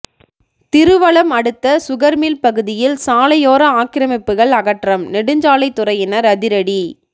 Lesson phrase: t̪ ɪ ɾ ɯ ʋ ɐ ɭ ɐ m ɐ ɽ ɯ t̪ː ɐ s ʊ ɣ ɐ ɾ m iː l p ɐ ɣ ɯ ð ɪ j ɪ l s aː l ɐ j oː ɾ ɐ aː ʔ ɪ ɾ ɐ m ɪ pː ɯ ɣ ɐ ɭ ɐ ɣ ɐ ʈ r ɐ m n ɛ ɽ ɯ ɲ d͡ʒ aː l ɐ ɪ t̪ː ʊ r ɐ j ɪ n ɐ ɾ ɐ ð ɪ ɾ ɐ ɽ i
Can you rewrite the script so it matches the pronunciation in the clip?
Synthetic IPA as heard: t̪ ɪ ɾ ɯ ʋ ɐ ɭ ɐ m ɐ ɽ ɯ t̪ː ɐ s ʊ ɣ ɐ ɾ m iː l p ɐ ɣ ɯ ð ɪ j ɪ l s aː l ɐ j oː ɾ ɐ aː k ɪ ɾ ɐ m ɪ pː ɯ ɣ ɐ ɭ ɐ ɣ ɐ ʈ r ɐ m n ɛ ɽ ɯ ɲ d͡ʒ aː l ɐ ɪ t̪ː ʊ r ɐ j ɪ n ɐ ɾ ɐ ð ɪ ɾ ɐ ɽ i

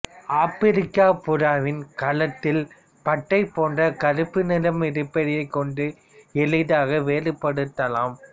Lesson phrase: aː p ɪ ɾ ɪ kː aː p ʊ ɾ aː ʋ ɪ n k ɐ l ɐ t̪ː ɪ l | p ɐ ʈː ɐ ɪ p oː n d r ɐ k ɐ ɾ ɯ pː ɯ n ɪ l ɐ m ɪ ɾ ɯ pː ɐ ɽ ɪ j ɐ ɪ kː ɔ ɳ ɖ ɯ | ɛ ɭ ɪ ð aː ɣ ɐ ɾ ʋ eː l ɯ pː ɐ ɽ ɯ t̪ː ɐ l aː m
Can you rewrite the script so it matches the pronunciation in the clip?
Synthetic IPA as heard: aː p ɪ ɾ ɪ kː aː p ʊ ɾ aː ʋ ɪ n k ɐ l ɐ t̪ː ɪ l | p ɐ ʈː ɐ ɪ p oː n d r ɐ k ɐ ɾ ɯ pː ɯ n ɪ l ɐ m ɪ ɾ ɯ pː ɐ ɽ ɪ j ɐ ɪ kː ɔ ɳ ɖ ɯ | ɛ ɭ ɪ ð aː ɣ ɐ ʋ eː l ɯ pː ɐ ɽ ɯ t̪ː ɐ l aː m

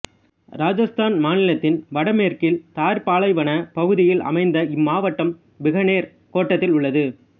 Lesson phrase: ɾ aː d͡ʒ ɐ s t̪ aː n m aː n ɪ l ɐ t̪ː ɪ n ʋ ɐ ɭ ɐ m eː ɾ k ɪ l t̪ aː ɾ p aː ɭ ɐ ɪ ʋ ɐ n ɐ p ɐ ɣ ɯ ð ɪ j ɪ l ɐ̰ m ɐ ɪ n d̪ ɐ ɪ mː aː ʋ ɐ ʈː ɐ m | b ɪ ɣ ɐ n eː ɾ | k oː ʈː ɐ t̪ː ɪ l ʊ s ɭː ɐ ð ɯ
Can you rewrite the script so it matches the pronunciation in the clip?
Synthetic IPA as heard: ɾ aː d͡ʒ ɐ s t̪ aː n m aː n ɪ l ɐ t̪ː ɪ n ʋ ɐ ɽ ɐ m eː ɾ k ɪ l t̪ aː ɾ p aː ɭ ɐ ɪ ʋ ɐ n ɐ p ɐ ɣ ɯ ð ɪ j ɪ l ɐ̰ m ɐ ɪ n d̪ ɐ ɪ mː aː ʋ ɐ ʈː ɐ m | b ɪ ɣ ɐ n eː ɾ | k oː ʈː ɐ t̪ː ɪ l ʊ ɭː ɐ ð ɯ

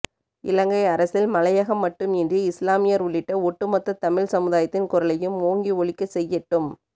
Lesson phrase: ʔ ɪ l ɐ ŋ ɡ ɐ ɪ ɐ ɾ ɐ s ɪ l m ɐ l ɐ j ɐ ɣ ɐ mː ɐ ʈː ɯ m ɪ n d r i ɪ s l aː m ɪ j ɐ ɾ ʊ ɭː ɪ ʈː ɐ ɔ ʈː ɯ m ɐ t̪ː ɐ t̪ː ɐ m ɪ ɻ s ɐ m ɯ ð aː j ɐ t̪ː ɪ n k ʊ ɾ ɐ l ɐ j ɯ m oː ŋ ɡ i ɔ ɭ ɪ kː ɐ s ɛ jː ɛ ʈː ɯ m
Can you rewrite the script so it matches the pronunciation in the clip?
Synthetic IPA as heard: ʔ ɪ l ɐ ŋ ɡ ɐ ɪ ɐ ɾ ɐ s ɪ l m ɐ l ɐ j ɐ ɣ ɐ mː ɐ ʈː ɯ m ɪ n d r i ɪ s l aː m ɪ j ɐ ɾ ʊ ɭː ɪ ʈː ɐ ɔ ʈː ɯ m ɐ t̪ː ɐ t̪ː ɐ m ɪ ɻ s ɐ m ɯ ð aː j ɐ t̪ː ɪ n k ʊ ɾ ɐ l ɐ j ɯ m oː ŋ ɡ i ɔ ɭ ɪ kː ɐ s ɛ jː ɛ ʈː ɯ m

